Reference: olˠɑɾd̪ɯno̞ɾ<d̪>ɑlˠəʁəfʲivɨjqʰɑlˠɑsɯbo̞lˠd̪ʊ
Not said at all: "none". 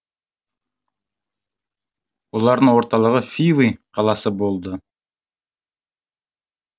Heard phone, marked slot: t̪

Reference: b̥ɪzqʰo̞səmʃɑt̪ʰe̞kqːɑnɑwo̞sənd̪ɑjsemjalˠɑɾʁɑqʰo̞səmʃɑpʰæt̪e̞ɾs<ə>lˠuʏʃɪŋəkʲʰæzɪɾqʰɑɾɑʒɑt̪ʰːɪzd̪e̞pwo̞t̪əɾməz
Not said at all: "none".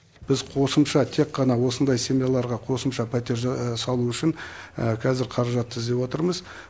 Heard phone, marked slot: ɑ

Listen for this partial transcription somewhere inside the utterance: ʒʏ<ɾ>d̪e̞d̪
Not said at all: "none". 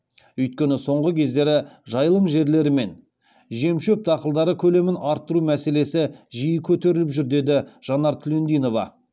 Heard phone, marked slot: ɾ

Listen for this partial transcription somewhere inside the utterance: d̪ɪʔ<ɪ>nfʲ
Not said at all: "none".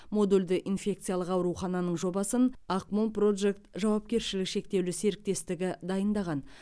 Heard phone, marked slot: i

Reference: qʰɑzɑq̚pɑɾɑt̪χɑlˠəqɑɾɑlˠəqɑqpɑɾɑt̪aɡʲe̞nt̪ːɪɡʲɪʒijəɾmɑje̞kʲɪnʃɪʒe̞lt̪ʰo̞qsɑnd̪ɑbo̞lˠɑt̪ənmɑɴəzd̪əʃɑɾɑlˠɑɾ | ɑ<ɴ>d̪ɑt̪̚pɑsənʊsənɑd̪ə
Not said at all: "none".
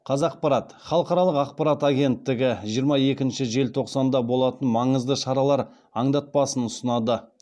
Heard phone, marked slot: ɴ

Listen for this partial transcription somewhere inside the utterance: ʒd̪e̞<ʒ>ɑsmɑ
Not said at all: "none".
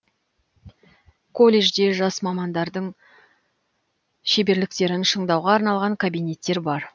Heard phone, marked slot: ʒ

